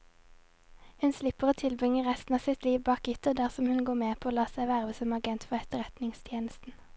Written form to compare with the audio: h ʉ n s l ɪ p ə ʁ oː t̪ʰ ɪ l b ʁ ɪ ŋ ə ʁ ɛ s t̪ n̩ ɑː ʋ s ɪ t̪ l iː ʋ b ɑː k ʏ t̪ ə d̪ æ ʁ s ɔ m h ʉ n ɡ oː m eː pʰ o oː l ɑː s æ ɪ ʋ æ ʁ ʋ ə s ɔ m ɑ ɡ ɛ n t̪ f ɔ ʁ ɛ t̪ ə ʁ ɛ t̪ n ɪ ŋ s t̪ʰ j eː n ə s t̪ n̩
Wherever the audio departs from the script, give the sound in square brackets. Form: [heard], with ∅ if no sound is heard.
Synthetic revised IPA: h ʉ n s l ɪ p ə ʁ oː t̪ʰ ɪ l b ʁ ɪ ŋ ə ʁ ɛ s t̪ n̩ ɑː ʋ s ɪ t̪ l iː ʋ b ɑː k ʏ t̪ ə d̪ æ ʁ s ɔ m h ʉ n ɡ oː m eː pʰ o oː l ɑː s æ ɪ ʋ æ ʁ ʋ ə s ɔ m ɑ ɡ ɛ n t̪ f ɔ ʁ ɛ t̪ ə ʁ ɛ t̪ n ɪ ŋ s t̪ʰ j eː n ə s t̪ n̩

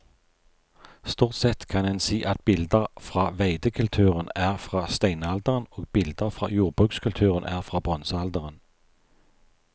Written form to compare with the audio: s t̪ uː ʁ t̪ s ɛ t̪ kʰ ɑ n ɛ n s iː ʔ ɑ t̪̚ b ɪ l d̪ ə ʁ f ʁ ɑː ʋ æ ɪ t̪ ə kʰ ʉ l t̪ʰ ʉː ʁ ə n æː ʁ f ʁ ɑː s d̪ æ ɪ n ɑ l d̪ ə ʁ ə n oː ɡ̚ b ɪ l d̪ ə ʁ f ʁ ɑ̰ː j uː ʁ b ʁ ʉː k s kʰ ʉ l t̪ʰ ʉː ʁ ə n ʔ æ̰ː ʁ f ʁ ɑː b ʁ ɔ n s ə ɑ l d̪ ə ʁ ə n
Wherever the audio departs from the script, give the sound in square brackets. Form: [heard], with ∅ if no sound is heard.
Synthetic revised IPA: s t̪ uː ʁ t̪ s ɛ t̪ kʰ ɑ n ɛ n s iː ʔ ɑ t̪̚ b ɪ l d̪ ə ʁ f ʁ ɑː ʋ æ ɪ [d̪] ə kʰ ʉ l t̪ʰ ʉː ʁ ə n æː ʁ f ʁ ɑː s [t̪] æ ɪ n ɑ l d̪ ə ʁ ə n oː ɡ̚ b ɪ l d̪ ə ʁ f ʁ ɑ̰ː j uː ʁ b ʁ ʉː k s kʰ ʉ l t̪ʰ ʉː ʁ ə n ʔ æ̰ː ʁ f ʁ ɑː b ʁ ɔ n s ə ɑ l d̪ ə ʁ ə n

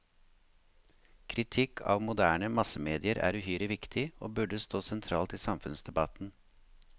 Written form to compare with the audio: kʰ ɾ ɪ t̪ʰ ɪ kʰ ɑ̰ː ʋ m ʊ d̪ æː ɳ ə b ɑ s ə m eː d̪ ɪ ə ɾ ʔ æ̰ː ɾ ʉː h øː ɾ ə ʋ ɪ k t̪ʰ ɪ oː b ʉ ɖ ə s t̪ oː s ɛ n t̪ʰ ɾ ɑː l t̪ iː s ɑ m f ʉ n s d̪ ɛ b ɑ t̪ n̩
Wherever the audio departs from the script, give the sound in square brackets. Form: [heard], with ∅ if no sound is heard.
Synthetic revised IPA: kʰ ɾ ɪ t̪ʰ ɪ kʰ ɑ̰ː ʋ m ʊ d̪ æː ɳ ə [m] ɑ s ə m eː d̪ ɪ ə ɾ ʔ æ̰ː ɾ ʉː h [yː] ɾ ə ʋ ɪ k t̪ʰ ɪ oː b ʉ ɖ ə s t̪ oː s ɛ n t̪ʰ ɾ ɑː l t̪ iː s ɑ m f ʉ n s d̪ ɛ b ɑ t̪ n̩

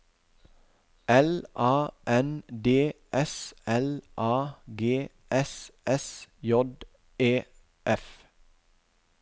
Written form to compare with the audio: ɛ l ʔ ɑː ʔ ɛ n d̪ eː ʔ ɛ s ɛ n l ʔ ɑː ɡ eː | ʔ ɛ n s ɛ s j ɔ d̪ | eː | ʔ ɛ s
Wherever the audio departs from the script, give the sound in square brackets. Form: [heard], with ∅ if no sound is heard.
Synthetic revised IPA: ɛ l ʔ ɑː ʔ ɛ n d̪ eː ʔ ɛ s ɛ [∅] l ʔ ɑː ɡ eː | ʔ ɛ [∅] s ɛ s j ɔ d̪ | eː | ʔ ɛ [f]

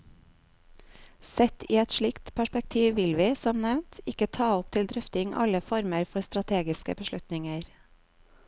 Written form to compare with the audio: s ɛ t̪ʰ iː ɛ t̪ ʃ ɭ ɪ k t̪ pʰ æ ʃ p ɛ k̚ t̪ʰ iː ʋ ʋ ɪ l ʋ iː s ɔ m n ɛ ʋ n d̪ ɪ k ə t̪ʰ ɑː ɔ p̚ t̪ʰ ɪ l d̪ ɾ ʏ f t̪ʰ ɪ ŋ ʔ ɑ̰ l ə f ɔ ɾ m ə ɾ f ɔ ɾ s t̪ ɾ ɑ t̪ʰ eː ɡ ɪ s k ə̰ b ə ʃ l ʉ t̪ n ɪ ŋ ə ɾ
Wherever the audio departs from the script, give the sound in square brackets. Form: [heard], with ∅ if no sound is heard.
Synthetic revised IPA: s ɛ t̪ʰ iː ɛ t̪ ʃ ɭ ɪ k t̪ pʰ æ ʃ p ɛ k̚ t̪ʰ iː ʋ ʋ ɪ l ʋ iː s ɔ m n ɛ ʋ n [t̪] ɪ k ə t̪ʰ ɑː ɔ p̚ t̪ʰ ɪ l d̪ ɾ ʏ f [t̪] ɪ ŋ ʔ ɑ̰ l ə f ɔ ɾ m ə ɾ f ɔ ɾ s t̪ ɾ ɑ t̪ʰ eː ɡ ɪ s k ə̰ b ə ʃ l ʉ t̪ n ɪ ŋ ə ɾ

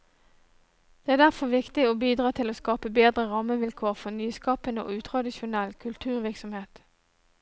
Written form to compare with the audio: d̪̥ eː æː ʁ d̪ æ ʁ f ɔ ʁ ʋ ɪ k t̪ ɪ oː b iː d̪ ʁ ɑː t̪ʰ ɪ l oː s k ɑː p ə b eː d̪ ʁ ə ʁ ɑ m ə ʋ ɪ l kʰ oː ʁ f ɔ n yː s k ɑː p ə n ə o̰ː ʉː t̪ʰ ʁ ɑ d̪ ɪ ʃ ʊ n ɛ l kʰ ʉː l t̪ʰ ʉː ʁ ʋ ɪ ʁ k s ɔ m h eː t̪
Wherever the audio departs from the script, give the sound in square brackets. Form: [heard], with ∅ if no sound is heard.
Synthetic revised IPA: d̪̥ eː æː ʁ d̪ æ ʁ f ɔ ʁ ʋ ɪ k t̪ ɪ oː b iː d̪ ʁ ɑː t̪ʰ ɪ l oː s k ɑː p ə b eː d̪ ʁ ə ʁ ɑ m ə ʋ ɪ l kʰ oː ʁ f ɔ n yː s k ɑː p ə n ə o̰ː ʉː t̪ʰ ʁ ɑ d̪ ɪ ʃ ʊ n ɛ l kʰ [ʉ] l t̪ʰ ʉː ʁ ʋ ɪ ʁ k s ɔ m h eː t̪

